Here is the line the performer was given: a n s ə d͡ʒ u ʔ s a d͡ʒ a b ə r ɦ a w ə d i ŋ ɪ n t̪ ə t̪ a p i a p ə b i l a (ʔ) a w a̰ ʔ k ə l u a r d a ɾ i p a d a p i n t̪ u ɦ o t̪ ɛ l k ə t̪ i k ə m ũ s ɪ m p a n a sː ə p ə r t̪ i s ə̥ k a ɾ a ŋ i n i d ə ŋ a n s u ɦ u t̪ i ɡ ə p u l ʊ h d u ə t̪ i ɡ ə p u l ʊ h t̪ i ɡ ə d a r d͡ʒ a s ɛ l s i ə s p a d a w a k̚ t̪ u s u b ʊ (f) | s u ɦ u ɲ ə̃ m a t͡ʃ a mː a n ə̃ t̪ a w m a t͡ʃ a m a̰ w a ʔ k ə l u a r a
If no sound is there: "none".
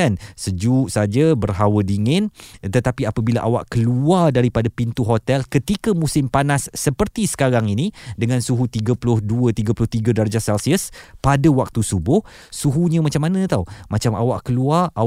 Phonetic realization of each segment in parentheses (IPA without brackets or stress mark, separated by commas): ʔ, h